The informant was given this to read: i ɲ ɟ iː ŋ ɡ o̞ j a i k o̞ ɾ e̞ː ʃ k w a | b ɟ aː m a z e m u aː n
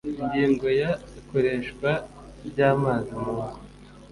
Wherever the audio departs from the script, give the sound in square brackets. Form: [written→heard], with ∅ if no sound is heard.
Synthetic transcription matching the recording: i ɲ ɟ iː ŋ ɡ o̞ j a i k o̞ ɾ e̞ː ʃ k w a | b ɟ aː m a z [e→i] m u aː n